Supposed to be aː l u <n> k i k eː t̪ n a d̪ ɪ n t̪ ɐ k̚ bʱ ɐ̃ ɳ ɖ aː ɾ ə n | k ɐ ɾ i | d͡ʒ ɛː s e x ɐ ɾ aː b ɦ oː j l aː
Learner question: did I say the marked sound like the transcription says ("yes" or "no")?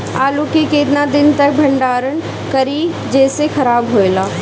no